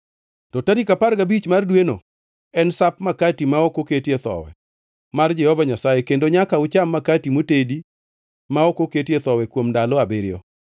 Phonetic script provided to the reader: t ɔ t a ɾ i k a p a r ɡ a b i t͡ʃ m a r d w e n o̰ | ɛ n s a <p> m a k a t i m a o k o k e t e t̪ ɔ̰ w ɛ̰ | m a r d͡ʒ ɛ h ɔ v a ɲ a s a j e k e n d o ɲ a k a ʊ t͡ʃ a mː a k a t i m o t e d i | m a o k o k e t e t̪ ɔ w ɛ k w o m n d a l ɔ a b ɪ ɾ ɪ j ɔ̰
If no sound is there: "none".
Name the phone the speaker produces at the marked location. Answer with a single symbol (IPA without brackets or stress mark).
p